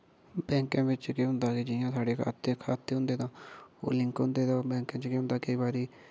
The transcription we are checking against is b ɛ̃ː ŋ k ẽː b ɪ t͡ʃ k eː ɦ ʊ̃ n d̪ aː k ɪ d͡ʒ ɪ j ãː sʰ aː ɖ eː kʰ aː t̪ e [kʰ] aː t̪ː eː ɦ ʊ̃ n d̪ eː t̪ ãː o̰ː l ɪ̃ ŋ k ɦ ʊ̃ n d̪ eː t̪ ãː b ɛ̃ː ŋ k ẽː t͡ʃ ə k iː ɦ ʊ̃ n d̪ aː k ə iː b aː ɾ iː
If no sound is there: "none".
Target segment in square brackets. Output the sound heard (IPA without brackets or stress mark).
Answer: kʰ